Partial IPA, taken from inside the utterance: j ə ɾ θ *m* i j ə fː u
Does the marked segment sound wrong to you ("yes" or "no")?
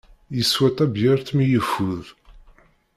no